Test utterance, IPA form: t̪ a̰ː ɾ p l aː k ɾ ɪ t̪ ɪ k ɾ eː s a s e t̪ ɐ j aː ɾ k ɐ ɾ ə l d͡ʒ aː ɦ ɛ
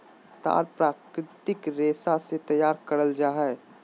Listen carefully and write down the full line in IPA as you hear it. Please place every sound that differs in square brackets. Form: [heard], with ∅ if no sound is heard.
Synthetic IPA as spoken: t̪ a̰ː ɾ p [ɾ] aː k ɾ ɪ t̪ ɪ k ɾ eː s a s e t̪ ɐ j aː ɾ k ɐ ɾ ə l d͡ʒ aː ɦ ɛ